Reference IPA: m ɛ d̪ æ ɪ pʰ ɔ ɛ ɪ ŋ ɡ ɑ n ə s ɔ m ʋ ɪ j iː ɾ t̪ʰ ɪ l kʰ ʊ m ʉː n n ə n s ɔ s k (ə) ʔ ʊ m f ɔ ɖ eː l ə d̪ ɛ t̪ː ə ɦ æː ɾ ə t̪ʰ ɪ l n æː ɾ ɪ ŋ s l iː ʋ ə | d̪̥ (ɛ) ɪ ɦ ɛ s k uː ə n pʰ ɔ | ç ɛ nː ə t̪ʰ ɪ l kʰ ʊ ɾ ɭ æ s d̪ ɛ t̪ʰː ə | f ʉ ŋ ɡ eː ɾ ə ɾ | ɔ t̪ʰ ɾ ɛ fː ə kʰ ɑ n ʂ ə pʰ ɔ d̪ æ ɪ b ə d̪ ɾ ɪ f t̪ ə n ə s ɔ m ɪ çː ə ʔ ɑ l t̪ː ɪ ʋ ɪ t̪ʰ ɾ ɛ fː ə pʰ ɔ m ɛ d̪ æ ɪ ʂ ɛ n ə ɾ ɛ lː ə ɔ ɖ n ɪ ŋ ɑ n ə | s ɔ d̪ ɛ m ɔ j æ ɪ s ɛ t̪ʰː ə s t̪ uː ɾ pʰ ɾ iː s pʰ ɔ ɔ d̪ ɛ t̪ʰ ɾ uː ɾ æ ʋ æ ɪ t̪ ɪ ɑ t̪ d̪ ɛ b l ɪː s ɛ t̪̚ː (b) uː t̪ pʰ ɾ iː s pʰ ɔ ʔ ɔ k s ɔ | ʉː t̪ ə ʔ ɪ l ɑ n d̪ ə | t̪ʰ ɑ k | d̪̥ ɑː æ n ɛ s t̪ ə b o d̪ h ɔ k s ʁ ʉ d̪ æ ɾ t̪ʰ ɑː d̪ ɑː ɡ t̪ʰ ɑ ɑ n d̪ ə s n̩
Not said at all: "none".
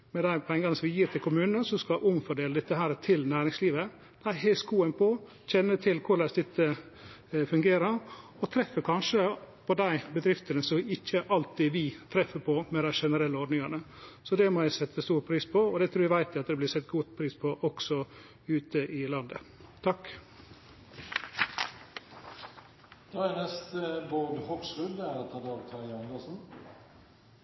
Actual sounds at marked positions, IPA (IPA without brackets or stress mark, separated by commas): ɑ, æ, ɡ